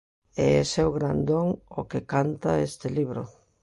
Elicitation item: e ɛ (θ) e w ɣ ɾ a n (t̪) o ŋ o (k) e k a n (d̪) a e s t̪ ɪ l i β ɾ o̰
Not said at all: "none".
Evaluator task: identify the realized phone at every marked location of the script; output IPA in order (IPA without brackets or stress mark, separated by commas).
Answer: s, d̪, k, t̪